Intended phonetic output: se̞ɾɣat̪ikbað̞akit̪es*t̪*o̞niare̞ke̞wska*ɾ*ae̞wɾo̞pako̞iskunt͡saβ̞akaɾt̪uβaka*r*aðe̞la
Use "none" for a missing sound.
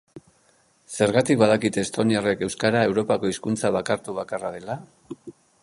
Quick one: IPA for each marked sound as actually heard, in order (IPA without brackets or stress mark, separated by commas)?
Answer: t̪, ɾ, r